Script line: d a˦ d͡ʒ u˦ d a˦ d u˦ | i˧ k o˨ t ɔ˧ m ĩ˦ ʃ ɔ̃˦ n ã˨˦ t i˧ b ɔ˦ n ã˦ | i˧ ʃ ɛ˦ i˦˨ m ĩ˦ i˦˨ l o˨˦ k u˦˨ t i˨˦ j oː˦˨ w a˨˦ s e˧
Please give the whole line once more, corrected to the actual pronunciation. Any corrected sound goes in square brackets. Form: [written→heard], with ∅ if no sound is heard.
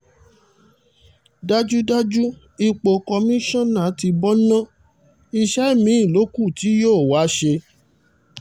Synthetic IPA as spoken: d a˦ d͡ʒ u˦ d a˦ [d→d͡ʒ] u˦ | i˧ [k→k͡p] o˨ [t→k] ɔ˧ m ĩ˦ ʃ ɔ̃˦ n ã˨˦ t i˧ b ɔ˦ n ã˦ | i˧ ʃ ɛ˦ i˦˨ m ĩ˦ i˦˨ l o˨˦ k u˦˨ t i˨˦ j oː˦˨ w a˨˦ [s→ʃ] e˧